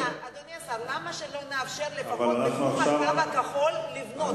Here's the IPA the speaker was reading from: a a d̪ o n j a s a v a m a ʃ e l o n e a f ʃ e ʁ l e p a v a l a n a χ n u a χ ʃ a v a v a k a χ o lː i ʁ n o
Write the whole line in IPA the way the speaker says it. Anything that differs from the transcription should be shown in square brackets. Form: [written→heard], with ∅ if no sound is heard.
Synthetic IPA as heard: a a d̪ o n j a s a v a m a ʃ e l o n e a f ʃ e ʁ l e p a v a l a n a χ n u a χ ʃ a v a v a k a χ o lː i [ʁ→v] n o